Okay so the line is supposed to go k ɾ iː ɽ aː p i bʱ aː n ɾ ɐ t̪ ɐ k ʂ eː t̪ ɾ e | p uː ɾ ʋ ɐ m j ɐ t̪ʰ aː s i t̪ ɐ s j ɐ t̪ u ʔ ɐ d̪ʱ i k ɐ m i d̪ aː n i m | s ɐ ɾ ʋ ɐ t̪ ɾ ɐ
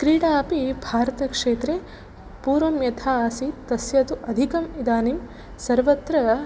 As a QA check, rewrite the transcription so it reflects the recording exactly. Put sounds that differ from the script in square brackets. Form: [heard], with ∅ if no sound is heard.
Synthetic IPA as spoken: k ɾ iː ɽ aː p i bʱ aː [∅] ɾ ɐ t̪ ɐ k ʂ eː t̪ ɾ e | p uː ɾ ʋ ɐ m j ɐ t̪ʰ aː s i t̪ ɐ s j ɐ t̪ u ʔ ɐ d̪ʱ i k ɐ m i d̪ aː n i m | s ɐ ɾ ʋ ɐ t̪ ɾ ɐ